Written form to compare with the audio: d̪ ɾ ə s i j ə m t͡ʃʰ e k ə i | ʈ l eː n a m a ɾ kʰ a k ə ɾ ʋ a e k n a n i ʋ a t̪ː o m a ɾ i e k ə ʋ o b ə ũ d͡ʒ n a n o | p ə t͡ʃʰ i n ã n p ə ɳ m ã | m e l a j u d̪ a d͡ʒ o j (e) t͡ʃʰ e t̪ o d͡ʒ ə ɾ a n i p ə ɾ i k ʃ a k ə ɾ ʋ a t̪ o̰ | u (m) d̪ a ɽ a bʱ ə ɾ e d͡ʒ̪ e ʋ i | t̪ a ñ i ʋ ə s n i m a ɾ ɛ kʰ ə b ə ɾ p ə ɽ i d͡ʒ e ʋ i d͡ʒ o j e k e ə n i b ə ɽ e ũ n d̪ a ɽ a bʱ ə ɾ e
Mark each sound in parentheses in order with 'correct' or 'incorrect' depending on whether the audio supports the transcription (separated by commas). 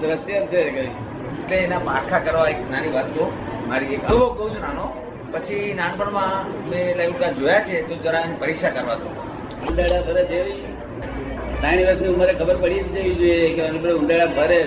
incorrect, incorrect